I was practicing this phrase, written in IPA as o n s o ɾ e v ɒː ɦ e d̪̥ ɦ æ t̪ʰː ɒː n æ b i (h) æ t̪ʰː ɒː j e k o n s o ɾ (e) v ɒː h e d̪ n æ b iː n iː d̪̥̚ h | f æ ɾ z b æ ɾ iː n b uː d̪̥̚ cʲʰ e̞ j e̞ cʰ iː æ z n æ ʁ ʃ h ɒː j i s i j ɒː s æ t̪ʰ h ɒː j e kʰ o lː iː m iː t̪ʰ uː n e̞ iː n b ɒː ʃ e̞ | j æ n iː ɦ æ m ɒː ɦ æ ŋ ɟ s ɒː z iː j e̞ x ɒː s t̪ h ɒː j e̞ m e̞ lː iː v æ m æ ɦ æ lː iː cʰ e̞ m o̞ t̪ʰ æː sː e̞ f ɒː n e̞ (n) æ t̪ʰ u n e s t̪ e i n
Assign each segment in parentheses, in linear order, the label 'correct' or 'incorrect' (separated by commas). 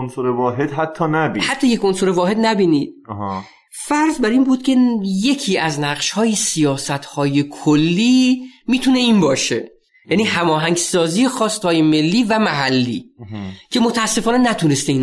correct, correct, correct